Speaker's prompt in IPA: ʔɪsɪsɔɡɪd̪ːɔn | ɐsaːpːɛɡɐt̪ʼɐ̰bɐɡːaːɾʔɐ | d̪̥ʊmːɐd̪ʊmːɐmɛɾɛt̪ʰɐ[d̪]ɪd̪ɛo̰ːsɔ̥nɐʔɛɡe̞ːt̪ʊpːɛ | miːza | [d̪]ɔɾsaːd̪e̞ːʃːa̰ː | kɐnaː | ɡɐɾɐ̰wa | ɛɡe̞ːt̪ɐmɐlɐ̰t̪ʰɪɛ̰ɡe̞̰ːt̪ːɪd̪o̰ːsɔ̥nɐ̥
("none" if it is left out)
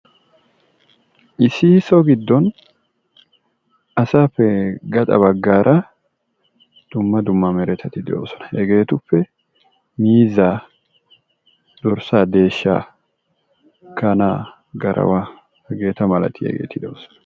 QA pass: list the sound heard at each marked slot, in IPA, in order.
t̪, d̪

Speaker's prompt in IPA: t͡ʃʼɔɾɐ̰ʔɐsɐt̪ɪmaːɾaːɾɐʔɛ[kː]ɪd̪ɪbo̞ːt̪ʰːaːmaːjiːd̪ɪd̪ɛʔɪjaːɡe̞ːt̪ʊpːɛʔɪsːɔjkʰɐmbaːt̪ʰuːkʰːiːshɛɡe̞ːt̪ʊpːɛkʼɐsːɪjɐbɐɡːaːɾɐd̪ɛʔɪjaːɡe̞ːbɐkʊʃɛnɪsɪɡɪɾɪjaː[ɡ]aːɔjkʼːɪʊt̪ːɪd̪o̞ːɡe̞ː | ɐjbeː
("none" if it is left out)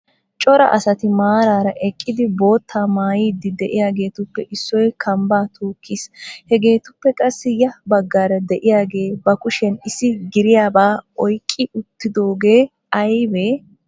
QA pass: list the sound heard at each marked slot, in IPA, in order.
kʼː, b

